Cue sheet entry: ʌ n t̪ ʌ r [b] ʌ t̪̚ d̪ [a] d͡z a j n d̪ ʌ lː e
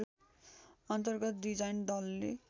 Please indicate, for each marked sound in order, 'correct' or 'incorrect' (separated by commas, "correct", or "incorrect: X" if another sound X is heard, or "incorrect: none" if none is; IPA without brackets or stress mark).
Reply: incorrect: ɡ, incorrect: i